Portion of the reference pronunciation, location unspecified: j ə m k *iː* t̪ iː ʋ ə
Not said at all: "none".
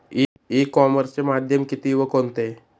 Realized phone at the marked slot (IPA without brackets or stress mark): i